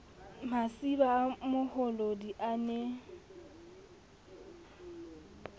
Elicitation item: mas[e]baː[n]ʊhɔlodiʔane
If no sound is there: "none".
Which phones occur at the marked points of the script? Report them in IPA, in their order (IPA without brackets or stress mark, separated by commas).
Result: i, m